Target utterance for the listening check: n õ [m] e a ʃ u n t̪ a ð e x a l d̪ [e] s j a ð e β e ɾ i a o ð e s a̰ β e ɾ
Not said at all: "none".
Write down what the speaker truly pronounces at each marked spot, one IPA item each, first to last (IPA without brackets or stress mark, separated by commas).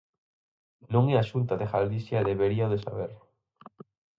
ŋ, i